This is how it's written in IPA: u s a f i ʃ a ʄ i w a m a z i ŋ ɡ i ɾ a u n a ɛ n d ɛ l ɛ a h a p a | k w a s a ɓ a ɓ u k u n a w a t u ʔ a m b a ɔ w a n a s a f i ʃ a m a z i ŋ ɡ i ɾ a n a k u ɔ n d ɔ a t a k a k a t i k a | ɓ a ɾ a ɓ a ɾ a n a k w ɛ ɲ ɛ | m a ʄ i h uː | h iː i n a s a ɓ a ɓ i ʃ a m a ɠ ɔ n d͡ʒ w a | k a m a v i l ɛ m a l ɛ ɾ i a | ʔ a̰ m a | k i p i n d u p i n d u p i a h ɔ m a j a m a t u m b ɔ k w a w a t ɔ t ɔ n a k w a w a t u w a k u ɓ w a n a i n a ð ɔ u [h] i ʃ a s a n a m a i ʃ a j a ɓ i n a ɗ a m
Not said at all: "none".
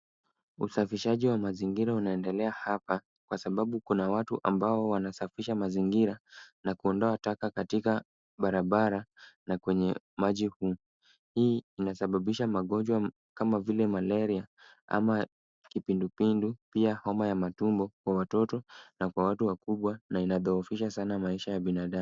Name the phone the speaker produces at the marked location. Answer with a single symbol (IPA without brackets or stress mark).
f